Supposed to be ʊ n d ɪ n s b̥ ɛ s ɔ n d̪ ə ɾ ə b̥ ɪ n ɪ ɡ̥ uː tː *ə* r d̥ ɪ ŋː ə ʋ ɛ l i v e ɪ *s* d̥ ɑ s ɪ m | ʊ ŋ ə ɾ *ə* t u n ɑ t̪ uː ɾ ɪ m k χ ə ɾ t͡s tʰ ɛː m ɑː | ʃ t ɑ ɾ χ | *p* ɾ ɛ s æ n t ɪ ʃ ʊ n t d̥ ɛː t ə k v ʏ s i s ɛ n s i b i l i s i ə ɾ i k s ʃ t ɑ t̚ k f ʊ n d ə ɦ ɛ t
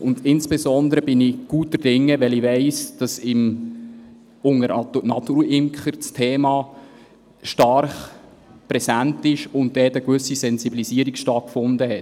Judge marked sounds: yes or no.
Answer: yes, yes, no, yes

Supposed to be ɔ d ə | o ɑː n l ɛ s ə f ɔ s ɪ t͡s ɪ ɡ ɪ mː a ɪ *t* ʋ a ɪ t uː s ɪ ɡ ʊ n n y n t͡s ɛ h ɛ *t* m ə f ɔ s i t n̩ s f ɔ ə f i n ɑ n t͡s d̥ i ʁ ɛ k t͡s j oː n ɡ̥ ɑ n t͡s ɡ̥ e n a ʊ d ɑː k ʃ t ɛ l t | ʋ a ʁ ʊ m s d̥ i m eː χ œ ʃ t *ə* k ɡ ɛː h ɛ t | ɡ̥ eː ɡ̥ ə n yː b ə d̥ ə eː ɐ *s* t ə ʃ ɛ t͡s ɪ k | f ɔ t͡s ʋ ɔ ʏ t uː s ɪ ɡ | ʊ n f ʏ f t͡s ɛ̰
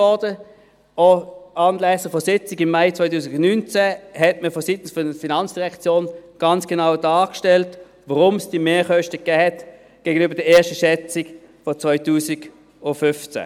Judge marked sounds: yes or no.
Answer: no, yes, yes, no

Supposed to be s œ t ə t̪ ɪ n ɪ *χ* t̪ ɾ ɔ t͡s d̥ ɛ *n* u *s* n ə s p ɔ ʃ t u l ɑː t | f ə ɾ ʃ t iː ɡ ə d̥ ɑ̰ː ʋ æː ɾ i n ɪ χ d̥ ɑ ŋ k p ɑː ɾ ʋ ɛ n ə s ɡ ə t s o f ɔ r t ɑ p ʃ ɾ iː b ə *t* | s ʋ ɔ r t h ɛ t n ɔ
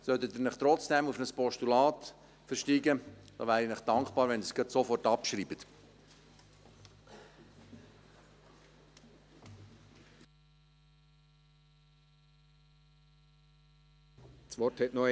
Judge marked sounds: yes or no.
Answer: yes, no, no, yes

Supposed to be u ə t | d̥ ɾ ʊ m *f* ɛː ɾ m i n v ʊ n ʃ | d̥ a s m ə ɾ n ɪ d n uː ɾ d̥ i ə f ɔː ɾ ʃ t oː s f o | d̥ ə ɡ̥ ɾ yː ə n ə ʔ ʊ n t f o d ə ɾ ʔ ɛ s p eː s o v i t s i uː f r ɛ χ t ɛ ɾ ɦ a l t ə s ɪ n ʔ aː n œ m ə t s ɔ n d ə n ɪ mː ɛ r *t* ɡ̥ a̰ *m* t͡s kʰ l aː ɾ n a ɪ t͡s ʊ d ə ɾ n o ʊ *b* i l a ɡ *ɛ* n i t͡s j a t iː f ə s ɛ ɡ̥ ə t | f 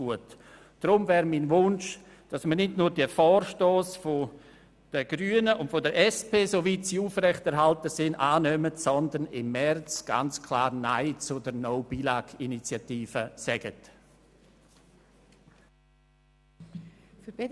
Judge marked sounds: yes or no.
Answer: no, no, no, yes, no

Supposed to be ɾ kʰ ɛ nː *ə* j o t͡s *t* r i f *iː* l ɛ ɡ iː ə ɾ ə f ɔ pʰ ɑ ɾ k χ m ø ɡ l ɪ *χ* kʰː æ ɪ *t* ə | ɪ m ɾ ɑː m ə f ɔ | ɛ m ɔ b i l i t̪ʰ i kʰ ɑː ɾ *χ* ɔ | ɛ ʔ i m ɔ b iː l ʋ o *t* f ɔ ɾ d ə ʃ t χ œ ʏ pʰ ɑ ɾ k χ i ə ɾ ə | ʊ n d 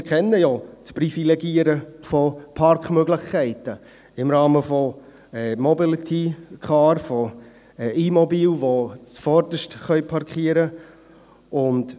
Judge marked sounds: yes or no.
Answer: yes, no, no, yes, yes, no, no

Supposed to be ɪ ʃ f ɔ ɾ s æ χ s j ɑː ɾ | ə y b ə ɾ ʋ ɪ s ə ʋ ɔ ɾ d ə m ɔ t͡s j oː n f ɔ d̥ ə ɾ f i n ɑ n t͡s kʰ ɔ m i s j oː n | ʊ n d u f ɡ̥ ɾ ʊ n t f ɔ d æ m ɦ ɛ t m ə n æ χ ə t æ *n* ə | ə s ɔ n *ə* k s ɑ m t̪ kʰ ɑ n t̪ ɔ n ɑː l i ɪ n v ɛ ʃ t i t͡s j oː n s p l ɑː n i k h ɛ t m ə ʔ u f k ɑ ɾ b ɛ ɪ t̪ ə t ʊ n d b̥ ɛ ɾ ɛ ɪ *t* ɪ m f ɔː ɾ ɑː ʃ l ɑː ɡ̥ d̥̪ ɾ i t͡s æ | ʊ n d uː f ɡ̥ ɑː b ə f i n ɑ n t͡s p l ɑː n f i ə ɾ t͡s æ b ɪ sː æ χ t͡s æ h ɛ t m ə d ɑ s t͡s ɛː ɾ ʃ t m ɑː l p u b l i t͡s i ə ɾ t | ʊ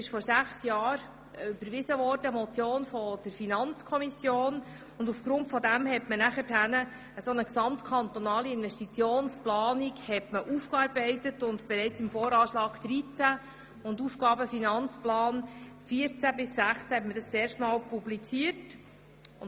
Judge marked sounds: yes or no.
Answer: yes, yes, no

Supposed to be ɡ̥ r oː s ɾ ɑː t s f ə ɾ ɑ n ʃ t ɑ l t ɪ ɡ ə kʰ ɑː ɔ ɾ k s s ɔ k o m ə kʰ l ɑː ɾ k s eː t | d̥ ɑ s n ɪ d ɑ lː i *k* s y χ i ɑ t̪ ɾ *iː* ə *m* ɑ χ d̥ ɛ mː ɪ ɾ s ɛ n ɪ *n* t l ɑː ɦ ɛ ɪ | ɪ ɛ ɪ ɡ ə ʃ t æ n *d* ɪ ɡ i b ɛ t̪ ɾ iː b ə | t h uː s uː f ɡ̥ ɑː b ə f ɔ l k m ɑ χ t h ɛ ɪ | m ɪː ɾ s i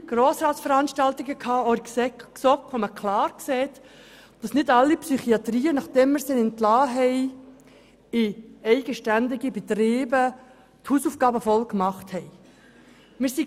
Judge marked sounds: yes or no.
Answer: no, yes, no, yes, yes

